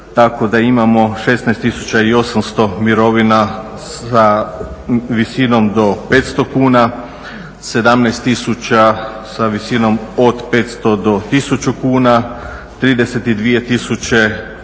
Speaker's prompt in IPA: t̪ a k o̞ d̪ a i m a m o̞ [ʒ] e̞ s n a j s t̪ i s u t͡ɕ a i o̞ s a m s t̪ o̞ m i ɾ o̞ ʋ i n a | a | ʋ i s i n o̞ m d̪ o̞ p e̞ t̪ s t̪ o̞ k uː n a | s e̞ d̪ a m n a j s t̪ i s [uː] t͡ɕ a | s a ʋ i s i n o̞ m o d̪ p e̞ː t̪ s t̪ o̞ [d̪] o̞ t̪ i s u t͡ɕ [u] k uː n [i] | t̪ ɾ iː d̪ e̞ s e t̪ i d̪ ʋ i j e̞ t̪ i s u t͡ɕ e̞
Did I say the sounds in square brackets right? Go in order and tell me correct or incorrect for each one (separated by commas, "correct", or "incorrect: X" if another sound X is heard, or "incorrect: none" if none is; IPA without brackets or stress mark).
incorrect: ʃ, incorrect: u, correct, correct, incorrect: a